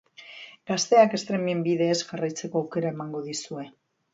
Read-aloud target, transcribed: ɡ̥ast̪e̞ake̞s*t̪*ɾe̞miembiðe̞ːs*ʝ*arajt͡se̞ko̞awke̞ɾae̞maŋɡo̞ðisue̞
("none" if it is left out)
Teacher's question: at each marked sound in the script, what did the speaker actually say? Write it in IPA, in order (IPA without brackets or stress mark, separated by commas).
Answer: t̪, ʝ